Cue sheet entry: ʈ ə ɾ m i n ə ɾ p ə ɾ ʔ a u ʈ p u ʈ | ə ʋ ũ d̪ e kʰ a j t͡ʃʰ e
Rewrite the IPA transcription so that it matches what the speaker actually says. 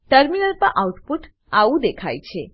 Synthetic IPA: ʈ ə ɾ m i n ə l p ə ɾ ʔ a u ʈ p u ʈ | a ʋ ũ d̪ e kʰ a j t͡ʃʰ e